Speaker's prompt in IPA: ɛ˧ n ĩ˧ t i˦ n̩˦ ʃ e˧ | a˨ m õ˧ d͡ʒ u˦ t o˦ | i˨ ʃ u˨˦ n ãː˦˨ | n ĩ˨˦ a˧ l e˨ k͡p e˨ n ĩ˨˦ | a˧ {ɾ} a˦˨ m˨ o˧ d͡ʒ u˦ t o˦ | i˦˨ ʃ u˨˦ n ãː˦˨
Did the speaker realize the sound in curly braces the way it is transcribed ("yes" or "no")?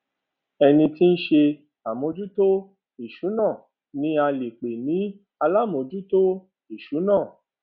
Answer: no